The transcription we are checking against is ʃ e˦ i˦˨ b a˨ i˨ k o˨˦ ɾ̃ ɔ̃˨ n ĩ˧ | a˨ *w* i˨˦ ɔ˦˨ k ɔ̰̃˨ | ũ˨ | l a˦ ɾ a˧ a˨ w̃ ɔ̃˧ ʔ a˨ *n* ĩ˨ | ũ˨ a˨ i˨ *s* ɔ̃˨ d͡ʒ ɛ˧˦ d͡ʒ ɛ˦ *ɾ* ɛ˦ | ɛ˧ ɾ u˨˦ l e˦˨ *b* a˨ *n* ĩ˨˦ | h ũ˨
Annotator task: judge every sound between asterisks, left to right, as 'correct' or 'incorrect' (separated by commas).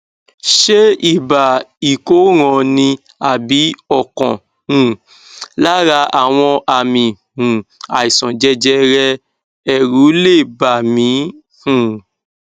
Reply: incorrect, incorrect, correct, correct, correct, incorrect